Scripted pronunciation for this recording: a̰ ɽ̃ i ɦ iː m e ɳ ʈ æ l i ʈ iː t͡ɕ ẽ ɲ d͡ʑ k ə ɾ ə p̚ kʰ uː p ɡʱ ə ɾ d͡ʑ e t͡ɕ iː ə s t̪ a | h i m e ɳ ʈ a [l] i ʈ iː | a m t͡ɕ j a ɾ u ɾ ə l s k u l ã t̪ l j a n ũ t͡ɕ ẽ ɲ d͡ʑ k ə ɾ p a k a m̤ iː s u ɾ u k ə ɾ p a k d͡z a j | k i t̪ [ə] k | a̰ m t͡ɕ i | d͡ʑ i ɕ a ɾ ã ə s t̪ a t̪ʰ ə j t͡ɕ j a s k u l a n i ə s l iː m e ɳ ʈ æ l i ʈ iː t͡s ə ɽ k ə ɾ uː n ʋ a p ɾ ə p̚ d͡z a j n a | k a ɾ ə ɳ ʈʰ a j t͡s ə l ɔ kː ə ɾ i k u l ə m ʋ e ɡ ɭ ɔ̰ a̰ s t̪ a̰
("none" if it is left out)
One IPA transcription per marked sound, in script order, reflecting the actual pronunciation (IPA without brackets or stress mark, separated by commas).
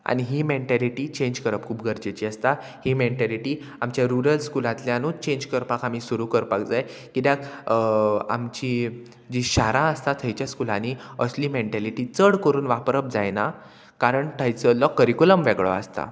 l, a